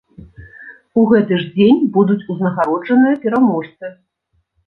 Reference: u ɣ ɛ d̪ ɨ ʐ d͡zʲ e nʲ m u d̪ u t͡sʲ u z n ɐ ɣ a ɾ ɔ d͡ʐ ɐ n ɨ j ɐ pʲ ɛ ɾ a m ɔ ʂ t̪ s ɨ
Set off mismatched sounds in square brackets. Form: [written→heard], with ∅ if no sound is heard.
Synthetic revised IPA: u ɣ ɛ [d̪→t̪] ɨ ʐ d͡zʲ e nʲ [m→b] u d̪ u t͡sʲ u z n ɐ ɣ a ɾ ɔ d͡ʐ ɐ n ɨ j ɐ pʲ ɛ ɾ a m ɔ ʂ t̪ s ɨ